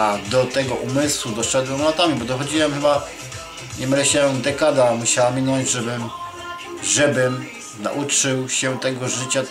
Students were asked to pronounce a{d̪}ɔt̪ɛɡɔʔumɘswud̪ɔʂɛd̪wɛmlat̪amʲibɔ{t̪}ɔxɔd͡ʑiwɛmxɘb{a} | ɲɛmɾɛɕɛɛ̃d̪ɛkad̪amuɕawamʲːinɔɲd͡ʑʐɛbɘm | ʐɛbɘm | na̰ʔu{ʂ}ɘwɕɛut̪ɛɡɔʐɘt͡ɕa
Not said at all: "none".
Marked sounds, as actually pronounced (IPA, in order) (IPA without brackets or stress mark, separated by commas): d̪, d̪, a, t͡ʂ